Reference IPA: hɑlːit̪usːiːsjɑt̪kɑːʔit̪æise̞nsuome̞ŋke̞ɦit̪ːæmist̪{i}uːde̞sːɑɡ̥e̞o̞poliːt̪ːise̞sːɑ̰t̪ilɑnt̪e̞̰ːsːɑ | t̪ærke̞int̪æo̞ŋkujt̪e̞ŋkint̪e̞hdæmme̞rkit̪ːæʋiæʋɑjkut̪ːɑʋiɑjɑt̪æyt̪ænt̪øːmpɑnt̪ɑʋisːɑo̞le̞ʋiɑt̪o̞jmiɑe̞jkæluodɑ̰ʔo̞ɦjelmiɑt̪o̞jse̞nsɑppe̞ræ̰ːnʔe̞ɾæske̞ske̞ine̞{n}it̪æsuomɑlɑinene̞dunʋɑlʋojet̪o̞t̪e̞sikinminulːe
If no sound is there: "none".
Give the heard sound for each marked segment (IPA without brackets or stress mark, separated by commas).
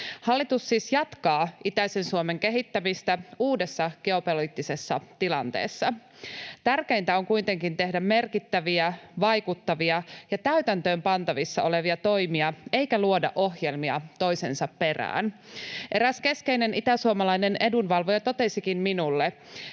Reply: æ, n